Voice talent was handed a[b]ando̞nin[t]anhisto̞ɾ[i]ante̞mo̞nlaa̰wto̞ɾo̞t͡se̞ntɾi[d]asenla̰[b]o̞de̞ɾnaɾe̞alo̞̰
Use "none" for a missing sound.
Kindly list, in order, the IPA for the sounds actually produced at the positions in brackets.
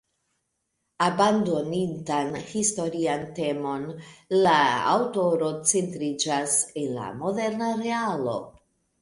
b, t, i, d͡ʒ, m

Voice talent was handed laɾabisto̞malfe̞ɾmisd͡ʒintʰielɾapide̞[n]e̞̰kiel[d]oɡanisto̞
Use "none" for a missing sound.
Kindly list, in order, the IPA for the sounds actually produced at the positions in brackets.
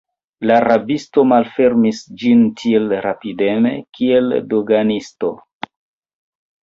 m, d

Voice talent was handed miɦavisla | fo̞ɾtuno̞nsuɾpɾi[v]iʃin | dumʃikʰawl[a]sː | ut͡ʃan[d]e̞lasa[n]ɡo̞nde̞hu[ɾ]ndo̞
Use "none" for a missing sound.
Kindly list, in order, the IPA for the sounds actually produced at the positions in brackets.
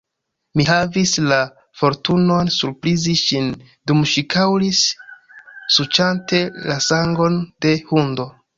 z, i, t, ŋ, none

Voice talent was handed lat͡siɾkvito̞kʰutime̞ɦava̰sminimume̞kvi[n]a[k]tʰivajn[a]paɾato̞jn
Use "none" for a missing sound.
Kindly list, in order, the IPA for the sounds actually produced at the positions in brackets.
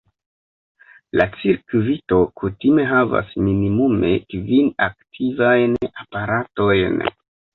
n, k, a

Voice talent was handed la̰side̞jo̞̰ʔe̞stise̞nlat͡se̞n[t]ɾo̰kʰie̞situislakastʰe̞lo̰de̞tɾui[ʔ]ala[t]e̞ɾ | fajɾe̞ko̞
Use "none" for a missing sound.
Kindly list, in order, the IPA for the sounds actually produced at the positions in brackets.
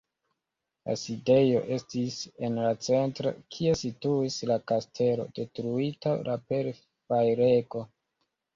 t, t, p

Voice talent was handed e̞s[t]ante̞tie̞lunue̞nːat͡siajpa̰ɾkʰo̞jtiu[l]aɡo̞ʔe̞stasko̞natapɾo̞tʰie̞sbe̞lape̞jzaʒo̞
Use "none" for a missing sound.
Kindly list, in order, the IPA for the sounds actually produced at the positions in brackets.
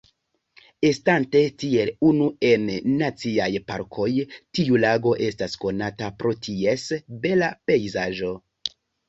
t, l

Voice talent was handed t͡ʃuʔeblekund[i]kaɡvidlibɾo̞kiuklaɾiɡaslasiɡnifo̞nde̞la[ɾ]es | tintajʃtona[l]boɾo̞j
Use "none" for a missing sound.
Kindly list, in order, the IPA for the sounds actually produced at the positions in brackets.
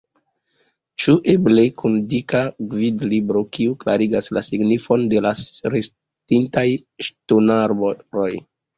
i, ɾ, ɾ

